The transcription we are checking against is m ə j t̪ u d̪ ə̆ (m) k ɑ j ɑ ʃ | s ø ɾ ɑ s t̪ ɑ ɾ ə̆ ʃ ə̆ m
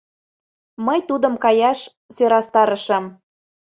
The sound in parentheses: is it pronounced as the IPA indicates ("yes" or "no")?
yes